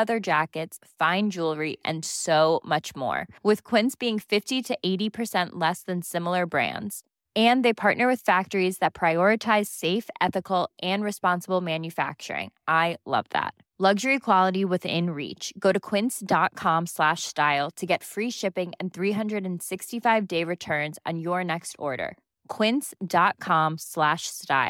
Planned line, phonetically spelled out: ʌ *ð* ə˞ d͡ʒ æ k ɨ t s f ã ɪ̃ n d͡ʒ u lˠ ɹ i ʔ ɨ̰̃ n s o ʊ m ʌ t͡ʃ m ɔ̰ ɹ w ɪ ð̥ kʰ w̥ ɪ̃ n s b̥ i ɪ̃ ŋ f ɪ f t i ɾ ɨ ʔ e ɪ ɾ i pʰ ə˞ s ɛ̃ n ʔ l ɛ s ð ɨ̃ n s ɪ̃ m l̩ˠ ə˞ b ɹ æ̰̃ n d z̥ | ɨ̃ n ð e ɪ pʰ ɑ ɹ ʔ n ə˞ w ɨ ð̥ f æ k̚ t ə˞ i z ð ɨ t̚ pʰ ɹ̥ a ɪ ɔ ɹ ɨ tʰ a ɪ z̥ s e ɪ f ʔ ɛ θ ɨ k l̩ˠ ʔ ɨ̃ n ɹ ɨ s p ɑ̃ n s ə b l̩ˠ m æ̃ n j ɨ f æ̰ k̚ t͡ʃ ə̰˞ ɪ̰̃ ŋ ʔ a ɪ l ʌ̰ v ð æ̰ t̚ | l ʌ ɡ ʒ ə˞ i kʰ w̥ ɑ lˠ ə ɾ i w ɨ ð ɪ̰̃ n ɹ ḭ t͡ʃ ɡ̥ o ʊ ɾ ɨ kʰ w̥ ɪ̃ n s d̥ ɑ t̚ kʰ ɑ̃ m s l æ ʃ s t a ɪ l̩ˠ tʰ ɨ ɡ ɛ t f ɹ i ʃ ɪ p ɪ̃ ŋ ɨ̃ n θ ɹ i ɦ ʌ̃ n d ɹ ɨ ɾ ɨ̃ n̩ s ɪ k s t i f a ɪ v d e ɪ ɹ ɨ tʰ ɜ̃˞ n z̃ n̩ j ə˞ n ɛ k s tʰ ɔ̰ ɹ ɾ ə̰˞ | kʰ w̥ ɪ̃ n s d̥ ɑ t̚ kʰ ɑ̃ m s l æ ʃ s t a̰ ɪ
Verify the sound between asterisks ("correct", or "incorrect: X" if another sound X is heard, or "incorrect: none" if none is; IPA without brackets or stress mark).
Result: correct